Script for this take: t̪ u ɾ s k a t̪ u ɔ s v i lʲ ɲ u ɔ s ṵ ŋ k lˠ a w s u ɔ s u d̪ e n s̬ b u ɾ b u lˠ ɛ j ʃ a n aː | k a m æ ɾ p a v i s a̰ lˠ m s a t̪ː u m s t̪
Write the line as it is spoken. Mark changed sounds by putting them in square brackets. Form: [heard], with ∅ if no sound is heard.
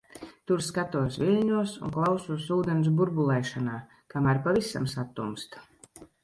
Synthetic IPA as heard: t̪ u ɾ s k a t̪ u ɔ s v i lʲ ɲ u ɔ s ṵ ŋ k lˠ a w s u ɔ s [uː] d̪ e n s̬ b u ɾ b u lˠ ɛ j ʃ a n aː | k a m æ ɾ p a v i s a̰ [∅] m s a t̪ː u m s t̪